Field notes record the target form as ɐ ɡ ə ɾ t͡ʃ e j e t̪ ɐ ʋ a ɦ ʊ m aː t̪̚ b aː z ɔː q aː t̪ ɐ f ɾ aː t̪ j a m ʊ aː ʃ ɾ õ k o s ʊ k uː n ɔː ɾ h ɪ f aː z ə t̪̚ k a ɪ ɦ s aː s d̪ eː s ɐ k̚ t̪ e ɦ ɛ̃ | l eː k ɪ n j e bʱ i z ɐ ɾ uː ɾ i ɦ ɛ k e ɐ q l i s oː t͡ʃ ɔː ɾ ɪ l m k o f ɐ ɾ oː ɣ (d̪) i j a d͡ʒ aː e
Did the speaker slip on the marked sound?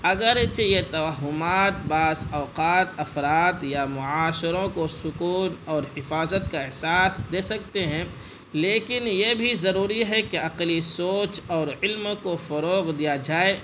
no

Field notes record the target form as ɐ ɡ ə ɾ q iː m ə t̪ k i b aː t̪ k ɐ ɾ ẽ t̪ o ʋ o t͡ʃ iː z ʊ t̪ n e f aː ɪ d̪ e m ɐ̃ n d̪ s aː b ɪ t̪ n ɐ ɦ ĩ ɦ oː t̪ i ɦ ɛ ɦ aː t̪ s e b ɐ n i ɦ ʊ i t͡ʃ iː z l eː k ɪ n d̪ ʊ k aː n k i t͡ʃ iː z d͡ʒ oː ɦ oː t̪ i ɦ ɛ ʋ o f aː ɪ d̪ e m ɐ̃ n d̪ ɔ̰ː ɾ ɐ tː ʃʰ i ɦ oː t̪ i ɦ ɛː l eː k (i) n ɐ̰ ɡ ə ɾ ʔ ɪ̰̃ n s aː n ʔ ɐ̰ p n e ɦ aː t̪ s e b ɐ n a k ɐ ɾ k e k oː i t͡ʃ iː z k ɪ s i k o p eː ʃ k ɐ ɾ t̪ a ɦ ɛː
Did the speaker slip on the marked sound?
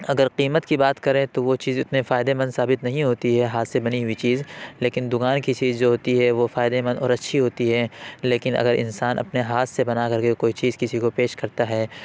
yes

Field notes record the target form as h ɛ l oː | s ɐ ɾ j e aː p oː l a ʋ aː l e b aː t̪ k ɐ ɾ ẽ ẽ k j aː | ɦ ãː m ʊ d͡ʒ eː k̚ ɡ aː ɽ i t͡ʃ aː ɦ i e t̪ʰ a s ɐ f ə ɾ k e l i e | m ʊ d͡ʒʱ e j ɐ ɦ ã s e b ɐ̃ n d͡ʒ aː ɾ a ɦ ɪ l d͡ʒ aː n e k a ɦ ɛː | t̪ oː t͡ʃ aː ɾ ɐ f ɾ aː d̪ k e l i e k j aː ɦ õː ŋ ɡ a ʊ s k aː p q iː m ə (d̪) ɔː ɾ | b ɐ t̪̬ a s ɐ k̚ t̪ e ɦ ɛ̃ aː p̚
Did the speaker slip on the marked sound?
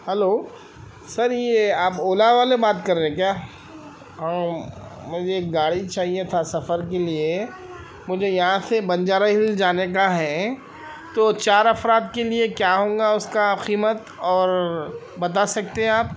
yes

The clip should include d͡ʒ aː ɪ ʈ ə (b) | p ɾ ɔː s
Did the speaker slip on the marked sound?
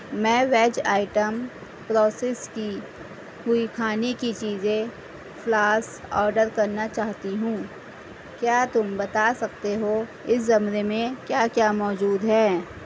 yes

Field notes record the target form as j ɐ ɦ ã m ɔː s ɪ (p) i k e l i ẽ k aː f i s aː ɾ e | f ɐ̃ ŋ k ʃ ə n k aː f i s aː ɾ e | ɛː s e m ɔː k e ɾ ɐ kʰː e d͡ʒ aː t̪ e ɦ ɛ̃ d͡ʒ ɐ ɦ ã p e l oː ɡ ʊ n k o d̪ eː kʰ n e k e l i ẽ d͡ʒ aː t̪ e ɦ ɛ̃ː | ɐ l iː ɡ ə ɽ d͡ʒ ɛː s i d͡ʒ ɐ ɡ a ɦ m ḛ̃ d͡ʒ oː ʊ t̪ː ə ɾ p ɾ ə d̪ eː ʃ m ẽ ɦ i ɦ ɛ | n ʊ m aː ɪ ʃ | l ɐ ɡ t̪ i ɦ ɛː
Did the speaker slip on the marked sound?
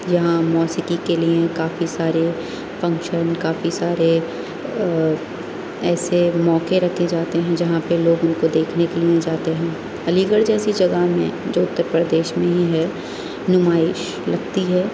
yes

